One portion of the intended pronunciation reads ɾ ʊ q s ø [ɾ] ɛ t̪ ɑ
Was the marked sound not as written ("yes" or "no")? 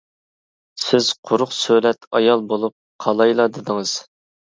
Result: yes